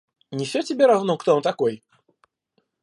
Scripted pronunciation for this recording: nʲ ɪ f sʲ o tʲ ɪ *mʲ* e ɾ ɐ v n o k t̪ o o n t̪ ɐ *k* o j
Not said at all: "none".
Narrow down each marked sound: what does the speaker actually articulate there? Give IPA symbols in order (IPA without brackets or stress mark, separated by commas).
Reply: bʲ, k